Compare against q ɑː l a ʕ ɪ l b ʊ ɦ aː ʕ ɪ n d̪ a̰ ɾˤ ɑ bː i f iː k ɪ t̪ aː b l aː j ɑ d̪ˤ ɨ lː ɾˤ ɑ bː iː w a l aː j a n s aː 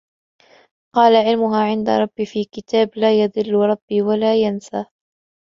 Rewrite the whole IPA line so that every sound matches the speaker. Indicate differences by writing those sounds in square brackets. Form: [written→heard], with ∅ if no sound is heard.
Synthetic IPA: q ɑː l a ʕ ɪ l [b→m] ʊ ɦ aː ʕ ɪ n d̪ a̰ ɾˤ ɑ bː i f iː k ɪ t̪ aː b l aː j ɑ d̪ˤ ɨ lː ɾˤ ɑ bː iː w a l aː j a n s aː